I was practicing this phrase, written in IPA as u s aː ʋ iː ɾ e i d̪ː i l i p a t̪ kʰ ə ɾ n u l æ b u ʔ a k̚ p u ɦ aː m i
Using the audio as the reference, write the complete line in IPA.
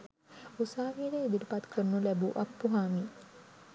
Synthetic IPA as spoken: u s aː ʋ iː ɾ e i d̪ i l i p a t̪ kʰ ə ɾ n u l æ b u ʔ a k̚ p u ɦ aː m i